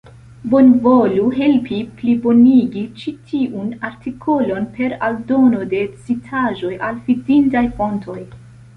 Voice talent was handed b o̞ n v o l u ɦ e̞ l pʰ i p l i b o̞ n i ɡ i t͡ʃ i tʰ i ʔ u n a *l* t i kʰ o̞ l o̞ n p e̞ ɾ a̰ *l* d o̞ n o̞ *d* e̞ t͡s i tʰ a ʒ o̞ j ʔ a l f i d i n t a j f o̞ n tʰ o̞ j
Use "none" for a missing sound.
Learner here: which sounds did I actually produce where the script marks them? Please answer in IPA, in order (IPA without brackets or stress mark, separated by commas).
ɾ, l, d